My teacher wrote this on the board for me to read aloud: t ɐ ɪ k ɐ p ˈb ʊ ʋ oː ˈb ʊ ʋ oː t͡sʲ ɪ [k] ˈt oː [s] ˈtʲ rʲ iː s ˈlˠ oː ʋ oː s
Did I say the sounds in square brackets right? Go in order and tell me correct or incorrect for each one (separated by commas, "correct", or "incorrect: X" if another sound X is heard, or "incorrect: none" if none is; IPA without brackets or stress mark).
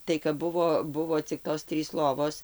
correct, correct